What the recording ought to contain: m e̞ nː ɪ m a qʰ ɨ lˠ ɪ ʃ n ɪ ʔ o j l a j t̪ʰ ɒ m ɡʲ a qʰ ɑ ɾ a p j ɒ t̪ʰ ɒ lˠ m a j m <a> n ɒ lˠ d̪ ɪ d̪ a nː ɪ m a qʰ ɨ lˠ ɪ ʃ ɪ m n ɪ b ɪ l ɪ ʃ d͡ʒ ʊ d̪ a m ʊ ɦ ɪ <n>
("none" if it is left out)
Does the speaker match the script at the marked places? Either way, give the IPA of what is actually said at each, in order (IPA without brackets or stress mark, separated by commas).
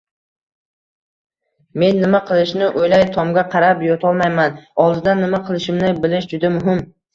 a, m